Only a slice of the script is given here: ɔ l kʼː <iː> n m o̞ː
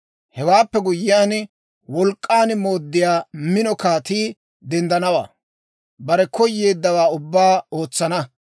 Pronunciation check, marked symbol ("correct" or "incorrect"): incorrect